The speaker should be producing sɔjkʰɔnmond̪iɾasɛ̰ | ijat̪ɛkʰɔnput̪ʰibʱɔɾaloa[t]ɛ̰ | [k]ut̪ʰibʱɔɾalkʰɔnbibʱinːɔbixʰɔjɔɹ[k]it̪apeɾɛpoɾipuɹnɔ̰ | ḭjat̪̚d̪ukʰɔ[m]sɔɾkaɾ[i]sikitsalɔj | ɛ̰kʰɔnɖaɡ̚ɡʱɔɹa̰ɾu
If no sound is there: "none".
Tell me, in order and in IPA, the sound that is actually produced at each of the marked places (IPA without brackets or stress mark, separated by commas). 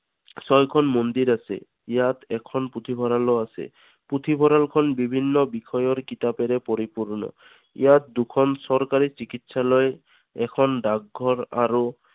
s, p, k, n, i